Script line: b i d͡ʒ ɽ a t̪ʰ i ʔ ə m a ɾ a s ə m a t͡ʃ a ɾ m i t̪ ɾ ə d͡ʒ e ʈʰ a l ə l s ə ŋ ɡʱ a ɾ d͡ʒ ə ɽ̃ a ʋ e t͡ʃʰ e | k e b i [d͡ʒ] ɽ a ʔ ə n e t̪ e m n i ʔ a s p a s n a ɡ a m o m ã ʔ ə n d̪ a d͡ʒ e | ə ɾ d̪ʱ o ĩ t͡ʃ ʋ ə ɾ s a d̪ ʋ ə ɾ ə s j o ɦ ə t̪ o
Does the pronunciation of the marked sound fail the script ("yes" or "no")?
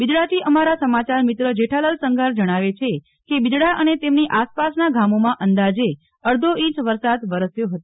no